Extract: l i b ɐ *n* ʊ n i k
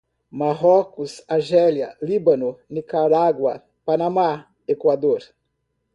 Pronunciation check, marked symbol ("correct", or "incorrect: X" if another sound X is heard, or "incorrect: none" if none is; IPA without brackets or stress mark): correct